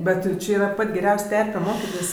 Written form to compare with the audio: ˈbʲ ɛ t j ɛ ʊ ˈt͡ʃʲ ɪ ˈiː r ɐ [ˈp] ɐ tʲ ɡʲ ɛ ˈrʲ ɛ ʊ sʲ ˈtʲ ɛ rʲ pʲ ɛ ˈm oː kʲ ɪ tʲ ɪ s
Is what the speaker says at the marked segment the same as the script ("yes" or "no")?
yes